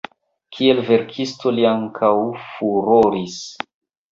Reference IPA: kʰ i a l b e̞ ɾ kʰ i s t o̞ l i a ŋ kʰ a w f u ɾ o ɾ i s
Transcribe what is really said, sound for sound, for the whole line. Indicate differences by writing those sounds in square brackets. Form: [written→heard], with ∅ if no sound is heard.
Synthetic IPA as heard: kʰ i [a→e] l [b→v] e̞ ɾ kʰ i s t o̞ l i a ŋ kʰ a w f u ɾ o ɾ i s